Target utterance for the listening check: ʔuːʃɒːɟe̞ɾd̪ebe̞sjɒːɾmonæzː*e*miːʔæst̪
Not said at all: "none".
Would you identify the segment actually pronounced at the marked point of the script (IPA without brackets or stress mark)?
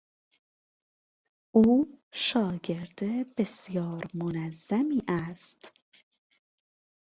æ